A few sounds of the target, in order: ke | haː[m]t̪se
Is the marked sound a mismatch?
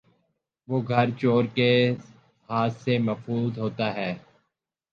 yes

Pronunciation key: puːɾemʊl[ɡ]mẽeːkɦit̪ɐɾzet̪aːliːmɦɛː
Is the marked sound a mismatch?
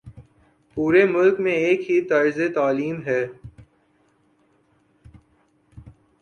yes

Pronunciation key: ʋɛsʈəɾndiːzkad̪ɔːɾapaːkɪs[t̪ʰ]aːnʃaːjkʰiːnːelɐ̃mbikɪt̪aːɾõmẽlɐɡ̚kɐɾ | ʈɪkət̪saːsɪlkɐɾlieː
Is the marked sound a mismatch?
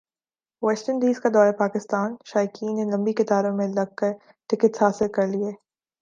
yes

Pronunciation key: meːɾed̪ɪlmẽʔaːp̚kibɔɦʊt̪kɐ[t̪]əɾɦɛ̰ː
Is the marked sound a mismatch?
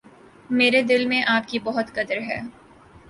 yes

